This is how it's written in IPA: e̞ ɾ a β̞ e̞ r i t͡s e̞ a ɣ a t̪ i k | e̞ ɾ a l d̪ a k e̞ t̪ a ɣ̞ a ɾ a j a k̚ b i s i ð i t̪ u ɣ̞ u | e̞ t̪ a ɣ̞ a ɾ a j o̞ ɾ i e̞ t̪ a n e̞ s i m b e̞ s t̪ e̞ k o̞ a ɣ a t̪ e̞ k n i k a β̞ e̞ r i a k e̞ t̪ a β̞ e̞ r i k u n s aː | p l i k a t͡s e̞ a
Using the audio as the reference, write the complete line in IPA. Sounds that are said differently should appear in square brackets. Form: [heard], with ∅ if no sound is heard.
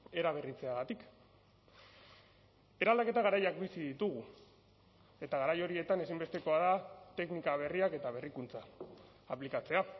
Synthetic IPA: e̞ ɾ a β̞ e̞ r i t͡s e̞ a ɣ a t̪ i k | e̞ ɾ a l d̪ a k e̞ t̪ a ɣ̞ a ɾ a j a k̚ b i s i ð i t̪ u ɣ̞ u | e̞ t̪ a ɣ̞ a ɾ a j o̞ ɾ i e̞ t̪ a n e̞ s i m b e̞ s t̪ e̞ k o̞ a [ð] a t̪ e̞ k n i k a β̞ e̞ r i a k e̞ t̪ a β̞ e̞ r i k u n [t͡s] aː | p l i k a t͡s e̞ a

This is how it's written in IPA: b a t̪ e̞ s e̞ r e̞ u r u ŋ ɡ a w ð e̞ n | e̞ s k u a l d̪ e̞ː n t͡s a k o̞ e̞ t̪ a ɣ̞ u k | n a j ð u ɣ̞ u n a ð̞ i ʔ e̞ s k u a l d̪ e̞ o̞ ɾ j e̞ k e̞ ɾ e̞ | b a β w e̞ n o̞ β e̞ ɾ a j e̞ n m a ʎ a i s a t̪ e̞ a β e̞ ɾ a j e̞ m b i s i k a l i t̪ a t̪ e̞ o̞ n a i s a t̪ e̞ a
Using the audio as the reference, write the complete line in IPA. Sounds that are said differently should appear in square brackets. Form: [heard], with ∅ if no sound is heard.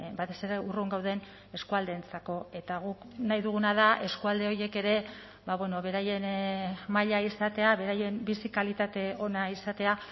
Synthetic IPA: b a t̪ e̞ s e̞ [ɾ] e̞ u r u ŋ ɡ a w ð e̞ n | e̞ s k u a l d̪ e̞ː n t͡s a k o̞ e̞ t̪ a ɣ̞ u k | n a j ð u ɣ̞ u n a ð̞ [a] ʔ e̞ s k u a l d̪ e̞ o̞ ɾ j e̞ k e̞ ɾ e̞ | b a β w e̞ n o̞ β e̞ ɾ a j e̞ n m a ʎ a i s a t̪ e̞ a β e̞ ɾ a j e̞ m b i s i k a l i t̪ a t̪ e̞ o̞ n a i s a t̪ e̞ a

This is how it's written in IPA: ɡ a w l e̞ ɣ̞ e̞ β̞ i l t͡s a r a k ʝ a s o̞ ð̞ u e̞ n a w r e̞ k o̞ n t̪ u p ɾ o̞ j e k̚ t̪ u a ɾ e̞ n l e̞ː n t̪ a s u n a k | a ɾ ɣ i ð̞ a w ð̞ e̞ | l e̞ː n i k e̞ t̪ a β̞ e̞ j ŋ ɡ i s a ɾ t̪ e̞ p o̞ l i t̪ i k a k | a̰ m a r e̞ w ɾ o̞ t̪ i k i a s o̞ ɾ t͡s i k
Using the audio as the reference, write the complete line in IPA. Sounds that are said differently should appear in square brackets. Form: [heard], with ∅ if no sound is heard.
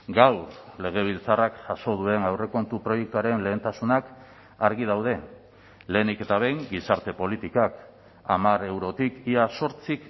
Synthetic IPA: ɡ a w l e̞ ɣ̞ e̞ β̞ i l t͡s a r a k ʝ a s o̞ ð̞ u e̞ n a w r e̞ k o̞ n t̪ u p ɾ o̞ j e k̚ t̪ u a ɾ e̞ n l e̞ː n t̪ a s u n a k | a ɾ ɣ i ð̞ a w ð̞ e̞ | l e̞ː n i k e̞ t̪ a β̞ e̞ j ŋ ɡ i s a ɾ t̪ e̞ p o̞ l i t̪ i k a k | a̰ m a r e̞ w ɾ o̞ t̪ i k i a s o̞ ɾ t͡s i k

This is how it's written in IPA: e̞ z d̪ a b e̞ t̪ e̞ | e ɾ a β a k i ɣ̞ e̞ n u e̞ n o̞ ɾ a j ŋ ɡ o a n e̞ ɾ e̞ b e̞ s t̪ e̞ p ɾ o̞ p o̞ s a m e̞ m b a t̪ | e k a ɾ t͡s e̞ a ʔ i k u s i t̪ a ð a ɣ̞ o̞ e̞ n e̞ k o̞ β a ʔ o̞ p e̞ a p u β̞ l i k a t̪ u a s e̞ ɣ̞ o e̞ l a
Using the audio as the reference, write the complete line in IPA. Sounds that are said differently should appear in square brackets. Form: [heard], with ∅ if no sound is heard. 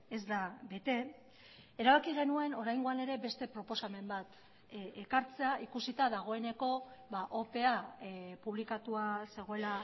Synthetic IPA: e̞ z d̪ a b e̞ t̪ e̞ | e ɾ a β a k i ɣ̞ e̞ n u e̞ n o̞ ɾ a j ŋ ɡ o a n e̞ ɾ e̞ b e̞ s t̪ e̞ p ɾ o̞ p o̞ s a m e̞ m b a t̪ | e k a ɾ t͡s e̞ a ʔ i k u s i t̪ a ð a ɣ̞ o̞ e̞ n e̞ k o̞ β a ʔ o̞ p e̞ a p u β̞ l i k a t̪ u a s e̞ ɣ̞ o e̞ l a

